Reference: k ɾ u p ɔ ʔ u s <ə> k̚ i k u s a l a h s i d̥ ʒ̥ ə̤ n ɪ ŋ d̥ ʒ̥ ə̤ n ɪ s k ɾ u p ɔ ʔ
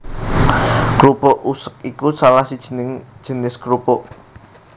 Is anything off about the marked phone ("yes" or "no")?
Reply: no